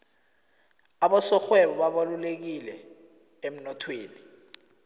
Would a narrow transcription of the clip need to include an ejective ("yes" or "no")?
no